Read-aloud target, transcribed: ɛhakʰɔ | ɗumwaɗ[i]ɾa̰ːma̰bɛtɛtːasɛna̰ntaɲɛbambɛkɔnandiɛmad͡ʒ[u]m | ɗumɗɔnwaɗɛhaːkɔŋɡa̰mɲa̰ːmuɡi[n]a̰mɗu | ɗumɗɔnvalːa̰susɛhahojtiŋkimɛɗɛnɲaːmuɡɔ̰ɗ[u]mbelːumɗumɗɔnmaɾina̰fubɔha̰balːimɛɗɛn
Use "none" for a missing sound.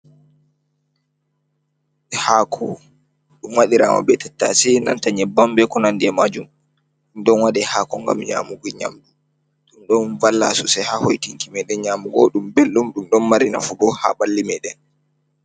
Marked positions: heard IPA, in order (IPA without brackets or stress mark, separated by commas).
i, u, ɲ, u